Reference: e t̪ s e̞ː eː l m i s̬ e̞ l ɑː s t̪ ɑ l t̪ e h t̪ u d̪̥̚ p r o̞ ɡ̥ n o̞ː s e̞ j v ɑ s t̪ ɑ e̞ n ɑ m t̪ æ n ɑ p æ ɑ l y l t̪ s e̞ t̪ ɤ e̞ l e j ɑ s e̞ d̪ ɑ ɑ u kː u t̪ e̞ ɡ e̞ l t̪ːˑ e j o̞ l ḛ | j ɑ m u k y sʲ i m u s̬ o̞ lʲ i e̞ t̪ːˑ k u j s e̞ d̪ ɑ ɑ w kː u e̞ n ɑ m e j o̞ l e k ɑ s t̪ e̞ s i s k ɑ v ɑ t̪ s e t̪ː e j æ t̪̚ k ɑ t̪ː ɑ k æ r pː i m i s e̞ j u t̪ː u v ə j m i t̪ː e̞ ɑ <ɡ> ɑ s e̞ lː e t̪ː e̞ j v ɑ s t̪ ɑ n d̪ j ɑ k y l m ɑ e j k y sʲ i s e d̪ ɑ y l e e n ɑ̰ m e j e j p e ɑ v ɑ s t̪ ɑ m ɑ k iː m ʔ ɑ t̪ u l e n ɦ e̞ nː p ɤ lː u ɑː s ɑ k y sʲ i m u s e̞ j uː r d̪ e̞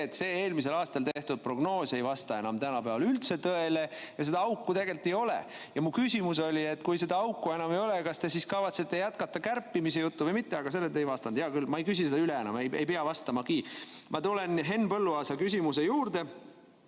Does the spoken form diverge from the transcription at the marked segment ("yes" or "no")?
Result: no